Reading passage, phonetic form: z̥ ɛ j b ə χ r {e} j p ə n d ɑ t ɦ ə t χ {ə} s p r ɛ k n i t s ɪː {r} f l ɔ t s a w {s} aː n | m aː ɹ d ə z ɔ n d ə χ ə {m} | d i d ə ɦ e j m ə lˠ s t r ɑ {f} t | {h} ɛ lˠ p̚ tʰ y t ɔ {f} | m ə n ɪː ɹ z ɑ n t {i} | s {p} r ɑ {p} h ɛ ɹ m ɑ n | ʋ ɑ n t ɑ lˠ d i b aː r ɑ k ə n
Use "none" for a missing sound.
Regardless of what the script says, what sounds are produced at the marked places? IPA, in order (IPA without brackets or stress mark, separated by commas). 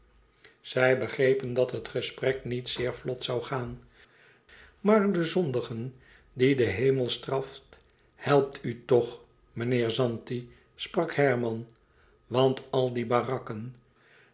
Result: e, ə, ɹ, χ, n, f, h, χ, i, p, k